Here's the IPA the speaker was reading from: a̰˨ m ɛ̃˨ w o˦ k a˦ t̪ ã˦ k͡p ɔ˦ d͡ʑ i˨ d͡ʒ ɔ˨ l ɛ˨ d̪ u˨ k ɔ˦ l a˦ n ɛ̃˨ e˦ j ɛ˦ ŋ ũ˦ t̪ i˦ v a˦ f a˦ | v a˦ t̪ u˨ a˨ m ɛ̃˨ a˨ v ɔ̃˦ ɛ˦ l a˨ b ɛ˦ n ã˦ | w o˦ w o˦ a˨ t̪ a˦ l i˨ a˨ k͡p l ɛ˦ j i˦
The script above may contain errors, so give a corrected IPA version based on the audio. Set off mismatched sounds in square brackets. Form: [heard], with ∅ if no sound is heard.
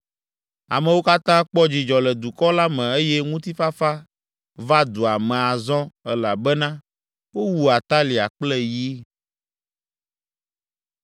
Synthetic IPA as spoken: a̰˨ m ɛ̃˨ w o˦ k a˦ t̪ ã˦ k͡p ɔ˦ d͡ʑ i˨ d͡ʒ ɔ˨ l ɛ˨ d̪ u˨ k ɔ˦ l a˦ [m] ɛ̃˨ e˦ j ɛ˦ ŋ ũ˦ t̪ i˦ [f] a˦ f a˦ | v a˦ [d̪] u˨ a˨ m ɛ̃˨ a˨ [z] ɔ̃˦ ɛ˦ l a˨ b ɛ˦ n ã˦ | w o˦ w [u˦] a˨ t̪ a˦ l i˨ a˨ k͡p l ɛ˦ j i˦